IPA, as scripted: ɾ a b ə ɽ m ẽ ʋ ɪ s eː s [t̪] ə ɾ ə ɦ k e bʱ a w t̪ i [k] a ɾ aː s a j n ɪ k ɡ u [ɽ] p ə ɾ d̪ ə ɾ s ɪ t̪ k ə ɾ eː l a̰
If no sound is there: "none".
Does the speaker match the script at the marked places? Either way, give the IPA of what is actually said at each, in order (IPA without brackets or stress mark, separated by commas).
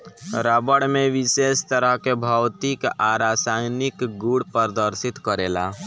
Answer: t̪, k, ɽ